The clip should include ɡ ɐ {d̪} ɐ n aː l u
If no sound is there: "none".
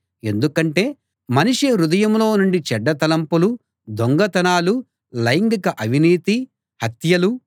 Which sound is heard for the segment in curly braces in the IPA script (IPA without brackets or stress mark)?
t̪